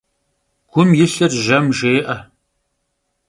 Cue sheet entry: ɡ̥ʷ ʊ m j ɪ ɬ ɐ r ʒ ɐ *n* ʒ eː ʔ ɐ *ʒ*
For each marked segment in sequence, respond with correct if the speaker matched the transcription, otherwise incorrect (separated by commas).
incorrect, incorrect